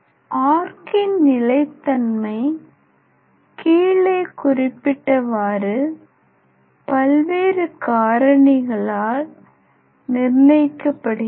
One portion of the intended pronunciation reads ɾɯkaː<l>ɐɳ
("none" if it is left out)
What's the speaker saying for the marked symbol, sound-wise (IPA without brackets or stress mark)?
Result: ɾ